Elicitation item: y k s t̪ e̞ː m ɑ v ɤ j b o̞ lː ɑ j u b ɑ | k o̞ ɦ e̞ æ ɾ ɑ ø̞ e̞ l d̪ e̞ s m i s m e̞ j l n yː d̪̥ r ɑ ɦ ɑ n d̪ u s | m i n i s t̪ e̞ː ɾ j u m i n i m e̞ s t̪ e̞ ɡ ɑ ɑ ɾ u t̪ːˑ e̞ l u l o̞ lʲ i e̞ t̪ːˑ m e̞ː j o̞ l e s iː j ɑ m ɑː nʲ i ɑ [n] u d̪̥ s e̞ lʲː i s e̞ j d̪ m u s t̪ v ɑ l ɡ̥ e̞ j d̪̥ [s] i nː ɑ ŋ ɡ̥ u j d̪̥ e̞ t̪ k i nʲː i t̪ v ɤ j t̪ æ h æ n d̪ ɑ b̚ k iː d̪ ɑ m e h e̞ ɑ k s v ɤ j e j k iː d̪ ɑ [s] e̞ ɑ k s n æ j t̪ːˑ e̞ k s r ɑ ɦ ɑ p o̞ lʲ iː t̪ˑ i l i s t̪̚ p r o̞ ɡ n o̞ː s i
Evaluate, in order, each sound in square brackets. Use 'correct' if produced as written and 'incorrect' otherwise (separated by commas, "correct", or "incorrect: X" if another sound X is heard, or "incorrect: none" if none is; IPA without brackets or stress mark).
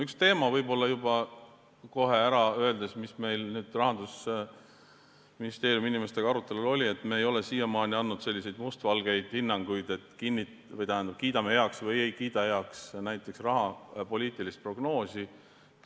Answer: incorrect: nː, incorrect: h, incorrect: h